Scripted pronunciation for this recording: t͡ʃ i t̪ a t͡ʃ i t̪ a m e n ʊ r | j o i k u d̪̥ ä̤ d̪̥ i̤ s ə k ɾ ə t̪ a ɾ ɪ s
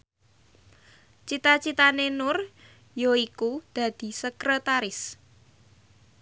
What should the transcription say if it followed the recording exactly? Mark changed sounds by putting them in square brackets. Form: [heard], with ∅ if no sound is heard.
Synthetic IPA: t͡ʃ i t̪ a t͡ʃ i t̪ a [n] e n ʊ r | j o i k u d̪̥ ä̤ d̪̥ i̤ s ə k ɾ ə t̪ a ɾ ɪ s